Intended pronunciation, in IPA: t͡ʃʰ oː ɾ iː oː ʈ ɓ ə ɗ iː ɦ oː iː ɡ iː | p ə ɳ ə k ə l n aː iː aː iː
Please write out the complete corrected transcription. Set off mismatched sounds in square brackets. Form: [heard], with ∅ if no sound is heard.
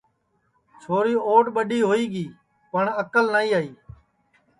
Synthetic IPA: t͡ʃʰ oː ɾ iː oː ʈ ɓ ə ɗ iː ɦ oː iː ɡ iː | p ə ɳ ə k ə l n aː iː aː iː